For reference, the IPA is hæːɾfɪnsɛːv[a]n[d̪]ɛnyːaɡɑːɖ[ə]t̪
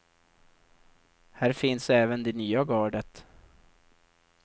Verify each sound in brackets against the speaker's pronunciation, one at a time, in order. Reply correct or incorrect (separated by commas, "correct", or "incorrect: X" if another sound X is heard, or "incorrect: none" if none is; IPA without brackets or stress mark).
incorrect: ə, correct, correct